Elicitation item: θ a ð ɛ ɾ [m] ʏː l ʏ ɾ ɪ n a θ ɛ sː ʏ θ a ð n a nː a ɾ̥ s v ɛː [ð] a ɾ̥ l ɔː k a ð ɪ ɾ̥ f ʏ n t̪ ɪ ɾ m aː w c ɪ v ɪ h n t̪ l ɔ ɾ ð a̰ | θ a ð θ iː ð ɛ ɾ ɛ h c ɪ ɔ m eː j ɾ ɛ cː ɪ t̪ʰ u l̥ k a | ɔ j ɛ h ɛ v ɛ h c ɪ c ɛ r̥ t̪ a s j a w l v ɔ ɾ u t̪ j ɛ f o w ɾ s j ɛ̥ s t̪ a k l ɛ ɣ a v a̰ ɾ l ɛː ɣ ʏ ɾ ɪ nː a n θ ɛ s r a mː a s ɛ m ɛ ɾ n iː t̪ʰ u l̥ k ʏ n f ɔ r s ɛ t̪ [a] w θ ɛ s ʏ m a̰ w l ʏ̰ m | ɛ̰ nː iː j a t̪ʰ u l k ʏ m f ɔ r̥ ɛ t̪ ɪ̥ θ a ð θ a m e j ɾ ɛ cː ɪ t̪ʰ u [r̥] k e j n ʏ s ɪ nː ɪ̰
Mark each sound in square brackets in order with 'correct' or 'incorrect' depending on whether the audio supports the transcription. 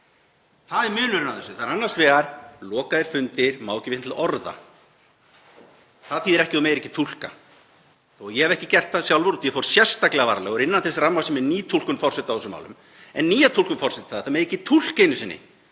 correct, incorrect: ɣ, correct, incorrect: l̥

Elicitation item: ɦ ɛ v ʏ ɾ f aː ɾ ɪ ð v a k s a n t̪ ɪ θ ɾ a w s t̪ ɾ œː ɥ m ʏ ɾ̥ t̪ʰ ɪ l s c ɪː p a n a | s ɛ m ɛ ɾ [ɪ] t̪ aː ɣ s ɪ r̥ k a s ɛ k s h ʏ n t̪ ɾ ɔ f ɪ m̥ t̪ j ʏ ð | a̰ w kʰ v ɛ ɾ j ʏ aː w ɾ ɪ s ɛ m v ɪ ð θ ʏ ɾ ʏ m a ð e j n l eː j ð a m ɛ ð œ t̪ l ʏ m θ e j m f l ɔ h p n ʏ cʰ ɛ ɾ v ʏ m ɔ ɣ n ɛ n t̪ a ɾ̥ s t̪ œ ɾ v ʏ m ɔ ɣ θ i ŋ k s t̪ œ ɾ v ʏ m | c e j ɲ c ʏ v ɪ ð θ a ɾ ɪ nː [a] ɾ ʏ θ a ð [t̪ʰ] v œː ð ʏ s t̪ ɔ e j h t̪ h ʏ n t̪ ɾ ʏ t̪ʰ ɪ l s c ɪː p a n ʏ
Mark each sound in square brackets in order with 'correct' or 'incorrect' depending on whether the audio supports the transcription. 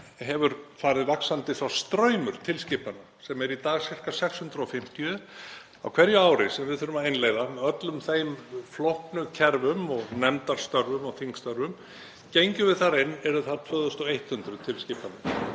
incorrect: i, incorrect: ɛ, correct

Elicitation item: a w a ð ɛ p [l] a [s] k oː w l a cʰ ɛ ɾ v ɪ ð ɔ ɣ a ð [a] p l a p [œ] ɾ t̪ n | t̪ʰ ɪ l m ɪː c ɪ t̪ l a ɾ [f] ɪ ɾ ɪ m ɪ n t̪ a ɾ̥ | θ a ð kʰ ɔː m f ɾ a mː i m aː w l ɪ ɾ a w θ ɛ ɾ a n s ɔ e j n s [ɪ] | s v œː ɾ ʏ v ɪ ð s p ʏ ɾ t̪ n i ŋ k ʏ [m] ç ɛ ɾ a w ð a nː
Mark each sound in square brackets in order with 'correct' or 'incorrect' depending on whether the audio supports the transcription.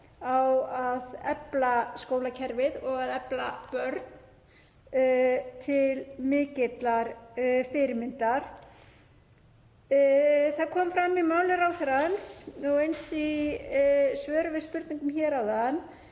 correct, correct, incorrect: ɛ, correct, correct, incorrect: i, correct

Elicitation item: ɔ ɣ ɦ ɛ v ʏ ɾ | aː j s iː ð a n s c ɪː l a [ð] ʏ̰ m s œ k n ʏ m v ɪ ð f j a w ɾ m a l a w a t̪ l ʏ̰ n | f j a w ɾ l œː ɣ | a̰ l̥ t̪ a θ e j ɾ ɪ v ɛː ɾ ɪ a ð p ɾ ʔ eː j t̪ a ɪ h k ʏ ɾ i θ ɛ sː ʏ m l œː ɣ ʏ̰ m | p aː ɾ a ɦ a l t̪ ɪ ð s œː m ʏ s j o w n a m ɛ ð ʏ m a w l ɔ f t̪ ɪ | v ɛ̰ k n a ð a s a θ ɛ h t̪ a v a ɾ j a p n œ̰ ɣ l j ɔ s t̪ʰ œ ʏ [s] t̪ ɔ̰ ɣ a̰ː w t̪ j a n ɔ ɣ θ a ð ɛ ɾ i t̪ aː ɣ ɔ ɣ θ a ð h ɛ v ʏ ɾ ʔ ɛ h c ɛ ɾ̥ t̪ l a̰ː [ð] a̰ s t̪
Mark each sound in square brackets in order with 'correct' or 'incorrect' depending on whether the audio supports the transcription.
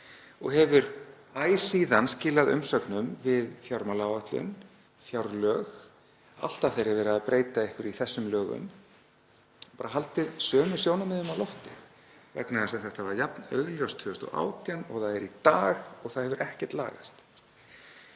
correct, correct, incorrect: ɣ

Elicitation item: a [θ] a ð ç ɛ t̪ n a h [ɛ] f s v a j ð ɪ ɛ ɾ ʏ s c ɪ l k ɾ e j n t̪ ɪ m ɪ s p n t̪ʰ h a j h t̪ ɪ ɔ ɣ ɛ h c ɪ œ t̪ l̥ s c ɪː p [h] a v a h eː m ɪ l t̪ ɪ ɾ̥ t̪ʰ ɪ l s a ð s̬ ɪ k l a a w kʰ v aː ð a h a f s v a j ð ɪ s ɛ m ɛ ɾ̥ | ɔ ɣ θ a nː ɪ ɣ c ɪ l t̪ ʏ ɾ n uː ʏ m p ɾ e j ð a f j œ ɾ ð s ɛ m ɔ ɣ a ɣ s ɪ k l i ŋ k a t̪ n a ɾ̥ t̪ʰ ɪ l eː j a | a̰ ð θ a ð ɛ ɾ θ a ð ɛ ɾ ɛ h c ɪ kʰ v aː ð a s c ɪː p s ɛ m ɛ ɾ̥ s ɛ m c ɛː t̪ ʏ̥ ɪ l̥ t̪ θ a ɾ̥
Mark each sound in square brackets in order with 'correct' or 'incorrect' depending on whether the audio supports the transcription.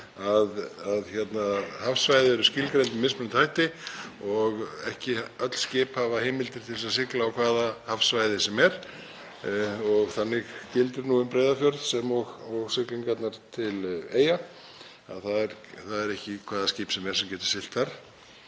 incorrect: ð, incorrect: a, correct

